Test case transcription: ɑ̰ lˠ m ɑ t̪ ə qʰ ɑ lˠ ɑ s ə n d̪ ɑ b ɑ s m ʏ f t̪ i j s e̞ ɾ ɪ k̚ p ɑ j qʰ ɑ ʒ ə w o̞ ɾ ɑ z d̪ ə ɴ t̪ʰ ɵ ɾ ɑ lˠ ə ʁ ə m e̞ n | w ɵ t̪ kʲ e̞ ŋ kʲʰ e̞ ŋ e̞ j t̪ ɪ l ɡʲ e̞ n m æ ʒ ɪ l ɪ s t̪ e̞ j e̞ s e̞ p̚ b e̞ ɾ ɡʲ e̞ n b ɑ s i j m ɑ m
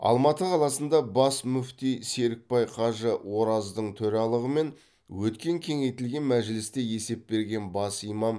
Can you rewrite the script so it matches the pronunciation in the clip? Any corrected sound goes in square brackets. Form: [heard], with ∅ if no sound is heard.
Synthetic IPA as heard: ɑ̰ lˠ m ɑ t̪ ə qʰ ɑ lˠ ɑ s ə n d̪ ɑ b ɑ s m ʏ f t̪ i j s e̞ ɾ ɪ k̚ p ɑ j qʰ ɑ ʒ ə w o̞ ɾ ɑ z d̪ ə ɴ t̪ʰ ɵ ɾ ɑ lˠ ə ʁ ə m e̞ n | w ɵ t̪ kʲ e̞ ŋ kʲʰ e̞ ŋ e̞ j t̪ ɪ l ɡʲ e̞ n m æ ʒ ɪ l ɪ s t̪ e̞ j e̞ s e̞ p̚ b e̞ ɾ ɡʲ e̞ n b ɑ s i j m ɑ m